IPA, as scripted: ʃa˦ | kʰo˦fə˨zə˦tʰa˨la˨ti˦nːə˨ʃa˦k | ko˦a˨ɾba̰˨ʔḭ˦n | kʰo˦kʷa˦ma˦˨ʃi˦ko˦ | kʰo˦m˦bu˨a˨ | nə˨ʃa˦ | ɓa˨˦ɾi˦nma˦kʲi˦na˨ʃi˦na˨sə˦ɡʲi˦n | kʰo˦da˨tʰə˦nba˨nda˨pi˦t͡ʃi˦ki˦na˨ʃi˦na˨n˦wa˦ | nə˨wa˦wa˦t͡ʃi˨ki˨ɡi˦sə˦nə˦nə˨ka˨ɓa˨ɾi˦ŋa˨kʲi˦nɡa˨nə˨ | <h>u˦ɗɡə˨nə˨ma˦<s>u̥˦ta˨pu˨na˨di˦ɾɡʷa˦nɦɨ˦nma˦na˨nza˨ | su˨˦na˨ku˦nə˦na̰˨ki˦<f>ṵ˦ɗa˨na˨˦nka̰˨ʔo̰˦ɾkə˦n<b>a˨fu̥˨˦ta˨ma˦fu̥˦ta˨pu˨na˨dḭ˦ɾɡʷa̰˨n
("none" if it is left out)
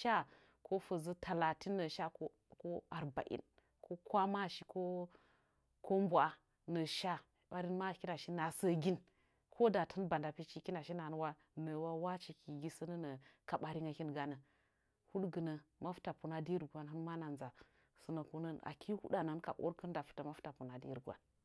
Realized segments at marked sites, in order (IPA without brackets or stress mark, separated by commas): h, f, h, d